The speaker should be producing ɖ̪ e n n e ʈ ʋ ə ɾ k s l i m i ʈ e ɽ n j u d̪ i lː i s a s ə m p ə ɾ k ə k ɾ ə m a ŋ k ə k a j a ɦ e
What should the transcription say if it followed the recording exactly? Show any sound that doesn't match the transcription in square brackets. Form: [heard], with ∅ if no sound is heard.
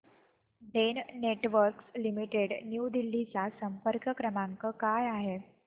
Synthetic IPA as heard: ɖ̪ e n n e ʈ ʋ ə ɾ k s l i m i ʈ e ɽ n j u d̪ i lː i [t͡s] a s ə m p ə ɾ k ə k ɾ ə m a ŋ k ə k a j a ɦ e